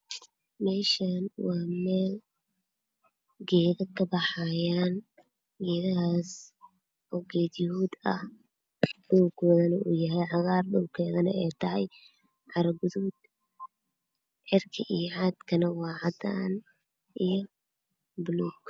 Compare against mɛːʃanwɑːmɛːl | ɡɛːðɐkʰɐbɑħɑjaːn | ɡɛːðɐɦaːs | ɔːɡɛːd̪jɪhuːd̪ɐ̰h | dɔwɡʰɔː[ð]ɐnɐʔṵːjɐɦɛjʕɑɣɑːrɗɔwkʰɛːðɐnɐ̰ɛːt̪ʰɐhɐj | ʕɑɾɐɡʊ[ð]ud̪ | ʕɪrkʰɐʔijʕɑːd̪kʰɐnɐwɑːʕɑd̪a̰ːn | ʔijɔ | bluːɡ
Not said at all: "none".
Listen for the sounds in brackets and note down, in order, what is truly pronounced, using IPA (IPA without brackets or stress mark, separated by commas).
ð, ð